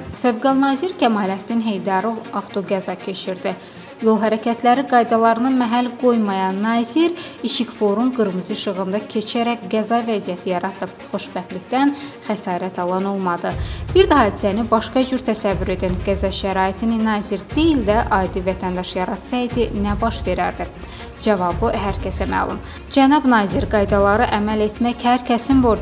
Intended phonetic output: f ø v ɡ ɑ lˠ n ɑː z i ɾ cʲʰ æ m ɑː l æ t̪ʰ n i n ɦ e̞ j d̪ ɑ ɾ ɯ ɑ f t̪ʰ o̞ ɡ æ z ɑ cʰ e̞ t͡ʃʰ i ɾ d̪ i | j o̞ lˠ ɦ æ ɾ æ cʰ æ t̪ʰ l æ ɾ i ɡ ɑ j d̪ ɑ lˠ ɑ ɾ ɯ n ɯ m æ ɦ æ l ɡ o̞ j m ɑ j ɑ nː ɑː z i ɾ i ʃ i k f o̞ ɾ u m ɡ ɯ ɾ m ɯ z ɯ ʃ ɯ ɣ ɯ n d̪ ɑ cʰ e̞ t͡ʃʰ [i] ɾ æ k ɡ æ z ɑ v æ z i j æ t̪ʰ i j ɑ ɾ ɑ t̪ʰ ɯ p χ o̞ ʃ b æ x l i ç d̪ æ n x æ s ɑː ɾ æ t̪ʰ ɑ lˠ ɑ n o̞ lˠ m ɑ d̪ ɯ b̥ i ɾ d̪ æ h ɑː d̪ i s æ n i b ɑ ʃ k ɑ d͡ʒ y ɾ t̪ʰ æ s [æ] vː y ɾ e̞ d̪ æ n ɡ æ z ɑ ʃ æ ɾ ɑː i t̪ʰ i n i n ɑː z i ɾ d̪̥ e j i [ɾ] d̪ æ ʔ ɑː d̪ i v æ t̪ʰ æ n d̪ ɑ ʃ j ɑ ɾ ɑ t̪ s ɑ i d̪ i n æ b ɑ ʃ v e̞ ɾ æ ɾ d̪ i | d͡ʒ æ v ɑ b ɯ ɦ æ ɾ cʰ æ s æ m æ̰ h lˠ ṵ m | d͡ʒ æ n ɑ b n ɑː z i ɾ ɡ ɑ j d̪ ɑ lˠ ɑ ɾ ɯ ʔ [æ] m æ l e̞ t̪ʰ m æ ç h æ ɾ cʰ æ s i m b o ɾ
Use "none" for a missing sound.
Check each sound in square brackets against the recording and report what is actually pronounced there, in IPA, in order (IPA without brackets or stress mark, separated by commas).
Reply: æ, æ, l, æ